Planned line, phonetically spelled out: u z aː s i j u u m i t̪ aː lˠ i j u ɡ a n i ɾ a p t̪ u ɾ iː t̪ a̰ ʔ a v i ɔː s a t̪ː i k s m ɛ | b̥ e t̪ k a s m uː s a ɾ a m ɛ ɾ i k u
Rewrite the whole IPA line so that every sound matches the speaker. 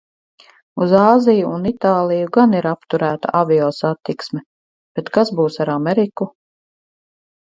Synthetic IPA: u z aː z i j u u n i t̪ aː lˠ i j u ɡ a n i ɾ a p t̪ u ɾ æː t̪ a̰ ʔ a v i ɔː s a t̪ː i k s m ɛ | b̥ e t̪ k a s b uː s a ɾ a m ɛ ɾ i k u